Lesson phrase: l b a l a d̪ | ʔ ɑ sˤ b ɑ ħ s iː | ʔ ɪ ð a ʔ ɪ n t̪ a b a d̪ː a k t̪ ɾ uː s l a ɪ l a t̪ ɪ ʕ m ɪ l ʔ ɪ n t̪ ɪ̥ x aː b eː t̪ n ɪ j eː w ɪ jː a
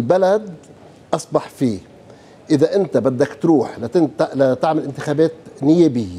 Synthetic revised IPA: l b a l a d̪ | ʔ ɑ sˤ b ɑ ħ f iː | ʔ ɪ ð a ʔ ɪ n t̪ a b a d̪ː a k t̪ ɾ uː ħ l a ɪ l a t̪ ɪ ʕ m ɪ l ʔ ɪ n t̪ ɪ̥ x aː b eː t̪ n ɪ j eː b ɪ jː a